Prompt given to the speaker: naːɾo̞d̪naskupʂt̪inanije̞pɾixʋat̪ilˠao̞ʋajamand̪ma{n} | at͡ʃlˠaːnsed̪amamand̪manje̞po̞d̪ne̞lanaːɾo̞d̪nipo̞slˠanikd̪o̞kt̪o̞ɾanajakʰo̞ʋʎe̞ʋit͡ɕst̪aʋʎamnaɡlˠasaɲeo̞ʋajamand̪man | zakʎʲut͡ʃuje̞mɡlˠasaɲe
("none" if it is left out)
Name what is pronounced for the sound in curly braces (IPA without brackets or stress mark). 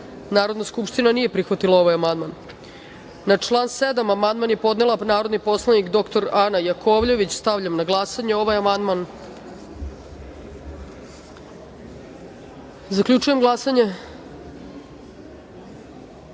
nː